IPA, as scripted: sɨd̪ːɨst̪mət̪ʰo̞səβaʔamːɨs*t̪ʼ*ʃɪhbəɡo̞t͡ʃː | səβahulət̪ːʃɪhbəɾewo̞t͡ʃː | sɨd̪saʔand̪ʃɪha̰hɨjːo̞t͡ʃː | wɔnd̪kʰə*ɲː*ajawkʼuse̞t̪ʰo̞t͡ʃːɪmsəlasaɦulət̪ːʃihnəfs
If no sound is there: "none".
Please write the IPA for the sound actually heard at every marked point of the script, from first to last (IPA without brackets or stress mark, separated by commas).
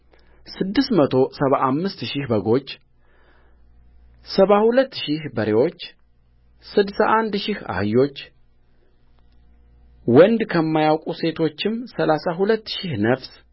t̪, mː